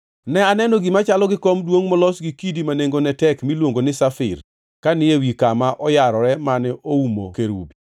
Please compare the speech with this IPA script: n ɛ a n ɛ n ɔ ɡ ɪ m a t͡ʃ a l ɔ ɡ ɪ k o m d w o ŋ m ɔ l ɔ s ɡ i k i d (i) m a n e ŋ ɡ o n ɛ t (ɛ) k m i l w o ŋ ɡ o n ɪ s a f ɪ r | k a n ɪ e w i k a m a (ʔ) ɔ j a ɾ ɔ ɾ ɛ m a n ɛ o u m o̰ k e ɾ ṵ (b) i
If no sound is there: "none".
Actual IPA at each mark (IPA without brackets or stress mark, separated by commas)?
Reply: i, ɛ, ʔ, b